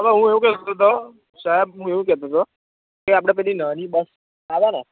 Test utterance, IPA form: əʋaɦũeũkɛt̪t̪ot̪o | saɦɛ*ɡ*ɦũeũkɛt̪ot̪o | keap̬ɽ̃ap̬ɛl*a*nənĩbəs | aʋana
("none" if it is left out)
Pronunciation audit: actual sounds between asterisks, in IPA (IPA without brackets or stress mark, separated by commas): b, i